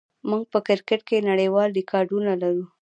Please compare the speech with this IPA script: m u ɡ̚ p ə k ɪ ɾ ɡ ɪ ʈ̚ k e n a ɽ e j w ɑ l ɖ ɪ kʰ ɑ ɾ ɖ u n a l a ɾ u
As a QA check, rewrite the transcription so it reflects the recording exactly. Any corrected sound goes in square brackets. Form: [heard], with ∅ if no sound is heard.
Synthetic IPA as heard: m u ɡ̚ p ə k ɪ ɾ [k] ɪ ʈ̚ k e n a ɽ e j w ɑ l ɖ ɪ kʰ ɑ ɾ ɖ u n a l a ɾ u